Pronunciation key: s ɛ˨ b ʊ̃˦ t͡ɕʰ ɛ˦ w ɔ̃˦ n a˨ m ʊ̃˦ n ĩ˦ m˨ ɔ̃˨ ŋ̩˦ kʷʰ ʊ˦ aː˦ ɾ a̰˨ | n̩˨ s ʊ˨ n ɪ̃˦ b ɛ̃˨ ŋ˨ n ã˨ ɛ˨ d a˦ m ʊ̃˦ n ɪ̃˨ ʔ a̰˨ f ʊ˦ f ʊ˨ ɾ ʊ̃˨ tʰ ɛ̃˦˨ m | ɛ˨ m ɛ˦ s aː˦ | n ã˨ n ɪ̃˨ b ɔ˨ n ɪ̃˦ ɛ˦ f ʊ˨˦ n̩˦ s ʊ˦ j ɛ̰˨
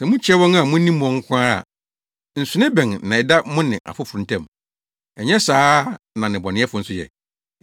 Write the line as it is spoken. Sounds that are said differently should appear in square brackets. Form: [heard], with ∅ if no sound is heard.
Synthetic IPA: s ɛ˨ [m] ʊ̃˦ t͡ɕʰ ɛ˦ w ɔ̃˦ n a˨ m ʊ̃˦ n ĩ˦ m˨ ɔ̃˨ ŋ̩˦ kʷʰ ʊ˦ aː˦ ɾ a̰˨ | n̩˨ s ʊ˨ n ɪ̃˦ b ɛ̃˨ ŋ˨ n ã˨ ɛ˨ d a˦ m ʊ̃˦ n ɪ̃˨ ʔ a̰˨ f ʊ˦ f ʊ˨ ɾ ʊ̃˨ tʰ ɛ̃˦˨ m | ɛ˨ [ɲ] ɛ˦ s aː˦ | n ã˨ n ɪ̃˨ b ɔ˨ n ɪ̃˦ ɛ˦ f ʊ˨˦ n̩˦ s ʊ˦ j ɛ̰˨